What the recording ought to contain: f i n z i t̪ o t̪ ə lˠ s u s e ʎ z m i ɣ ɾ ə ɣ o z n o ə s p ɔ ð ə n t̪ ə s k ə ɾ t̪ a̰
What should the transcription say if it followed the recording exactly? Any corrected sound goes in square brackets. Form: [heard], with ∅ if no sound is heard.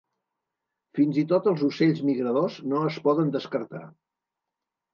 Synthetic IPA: f i n z i t̪ o t̪ ə lˠ [z] u s e ʎ z m i ɣ ɾ ə [ð] o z n o ə s p ɔ ð ə n [d̪] ə s k ə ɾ t̪ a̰